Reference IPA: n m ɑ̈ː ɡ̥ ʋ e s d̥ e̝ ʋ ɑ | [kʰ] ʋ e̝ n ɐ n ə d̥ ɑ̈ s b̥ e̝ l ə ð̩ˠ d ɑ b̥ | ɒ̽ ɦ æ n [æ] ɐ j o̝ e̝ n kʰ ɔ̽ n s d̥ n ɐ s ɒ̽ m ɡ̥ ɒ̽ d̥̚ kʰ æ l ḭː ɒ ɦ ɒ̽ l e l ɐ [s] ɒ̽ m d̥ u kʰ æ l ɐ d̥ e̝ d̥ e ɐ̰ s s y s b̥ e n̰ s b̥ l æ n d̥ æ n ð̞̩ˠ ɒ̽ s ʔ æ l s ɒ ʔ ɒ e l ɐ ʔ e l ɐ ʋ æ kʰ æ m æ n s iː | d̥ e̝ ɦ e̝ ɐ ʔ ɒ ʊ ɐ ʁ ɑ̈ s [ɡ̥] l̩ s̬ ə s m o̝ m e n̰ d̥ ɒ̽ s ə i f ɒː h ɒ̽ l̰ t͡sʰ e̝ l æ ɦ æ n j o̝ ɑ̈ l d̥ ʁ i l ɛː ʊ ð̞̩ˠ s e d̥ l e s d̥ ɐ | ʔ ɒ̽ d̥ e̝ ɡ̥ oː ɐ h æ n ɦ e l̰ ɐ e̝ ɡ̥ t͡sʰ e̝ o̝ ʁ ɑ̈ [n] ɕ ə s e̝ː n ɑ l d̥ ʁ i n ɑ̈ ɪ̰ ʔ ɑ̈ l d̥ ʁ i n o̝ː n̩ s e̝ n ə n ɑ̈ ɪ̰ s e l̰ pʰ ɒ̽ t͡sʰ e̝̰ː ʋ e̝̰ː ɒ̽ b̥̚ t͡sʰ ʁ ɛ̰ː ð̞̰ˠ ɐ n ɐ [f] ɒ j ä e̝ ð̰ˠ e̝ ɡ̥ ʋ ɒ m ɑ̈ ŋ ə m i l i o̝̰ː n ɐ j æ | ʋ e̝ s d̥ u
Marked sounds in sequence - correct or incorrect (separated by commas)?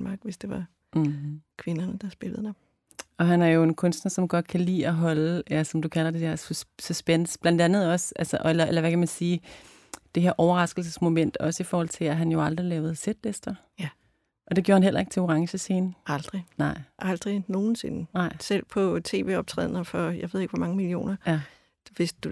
correct, correct, correct, correct, incorrect, correct